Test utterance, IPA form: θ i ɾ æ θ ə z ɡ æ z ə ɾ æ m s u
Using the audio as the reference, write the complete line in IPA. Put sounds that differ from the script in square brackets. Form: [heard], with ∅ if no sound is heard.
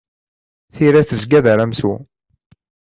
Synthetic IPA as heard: θ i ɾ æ θ ə z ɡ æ [ð] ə ɾ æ m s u